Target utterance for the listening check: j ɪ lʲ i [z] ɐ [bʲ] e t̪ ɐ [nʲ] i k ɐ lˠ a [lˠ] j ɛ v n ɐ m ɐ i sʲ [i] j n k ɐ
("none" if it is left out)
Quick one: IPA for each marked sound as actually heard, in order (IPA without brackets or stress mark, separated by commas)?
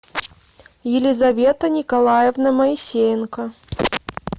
z, vʲ, nʲ, none, e